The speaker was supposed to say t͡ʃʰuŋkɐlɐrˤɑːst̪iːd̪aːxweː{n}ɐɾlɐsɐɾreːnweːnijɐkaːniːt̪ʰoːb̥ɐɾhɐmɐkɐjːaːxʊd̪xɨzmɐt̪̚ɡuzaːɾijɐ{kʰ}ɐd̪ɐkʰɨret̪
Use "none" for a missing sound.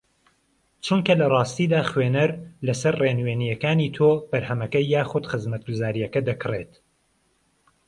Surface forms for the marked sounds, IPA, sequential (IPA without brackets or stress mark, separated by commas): n, k